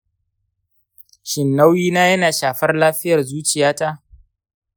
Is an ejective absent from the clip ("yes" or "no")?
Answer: yes